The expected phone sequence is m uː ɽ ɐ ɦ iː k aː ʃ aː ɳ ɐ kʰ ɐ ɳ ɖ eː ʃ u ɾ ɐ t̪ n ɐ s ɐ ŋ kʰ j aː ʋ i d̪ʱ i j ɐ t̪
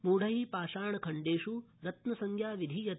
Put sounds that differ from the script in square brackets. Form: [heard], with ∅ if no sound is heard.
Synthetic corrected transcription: m uː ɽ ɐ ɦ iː [p] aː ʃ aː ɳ ɐ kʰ ɐ ɳ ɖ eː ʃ u ɾ ɐ t̪ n ɐ s ɐ ŋ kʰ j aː ʋ i d̪ʱ i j ɐ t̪